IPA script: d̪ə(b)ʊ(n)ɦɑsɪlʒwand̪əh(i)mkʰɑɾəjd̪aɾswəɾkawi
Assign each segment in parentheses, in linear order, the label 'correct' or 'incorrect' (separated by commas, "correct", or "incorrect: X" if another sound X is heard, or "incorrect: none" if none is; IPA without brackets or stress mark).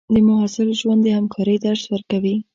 incorrect: m, incorrect: none, incorrect: a